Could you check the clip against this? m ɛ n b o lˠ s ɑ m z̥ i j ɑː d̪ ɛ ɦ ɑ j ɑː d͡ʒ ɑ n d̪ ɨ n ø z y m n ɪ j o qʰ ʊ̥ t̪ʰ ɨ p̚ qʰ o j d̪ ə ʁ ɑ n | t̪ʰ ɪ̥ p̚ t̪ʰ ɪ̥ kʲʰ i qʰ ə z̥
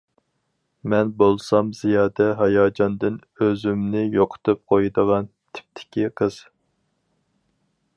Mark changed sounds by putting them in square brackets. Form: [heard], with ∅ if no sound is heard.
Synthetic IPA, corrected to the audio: m ɛ n b o lˠ s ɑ m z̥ i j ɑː d̪ ɛ ɦ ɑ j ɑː d͡ʒ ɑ n d̪ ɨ n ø z y m n ɪ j o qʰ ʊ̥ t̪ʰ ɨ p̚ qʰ o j d̪ ə ʁ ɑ n | t̪ʰ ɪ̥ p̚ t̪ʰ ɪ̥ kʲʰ i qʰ ə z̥